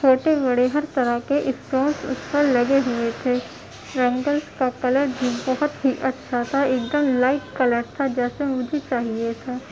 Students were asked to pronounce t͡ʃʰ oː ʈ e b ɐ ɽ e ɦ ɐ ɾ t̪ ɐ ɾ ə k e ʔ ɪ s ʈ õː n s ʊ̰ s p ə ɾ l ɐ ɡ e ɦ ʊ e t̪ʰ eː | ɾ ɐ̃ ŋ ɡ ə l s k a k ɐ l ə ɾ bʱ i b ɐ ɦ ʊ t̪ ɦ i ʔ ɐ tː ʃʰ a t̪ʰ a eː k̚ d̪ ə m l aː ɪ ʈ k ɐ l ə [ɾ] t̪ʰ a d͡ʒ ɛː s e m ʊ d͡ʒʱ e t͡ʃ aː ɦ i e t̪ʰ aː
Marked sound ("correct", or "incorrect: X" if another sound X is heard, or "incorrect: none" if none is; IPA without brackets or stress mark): correct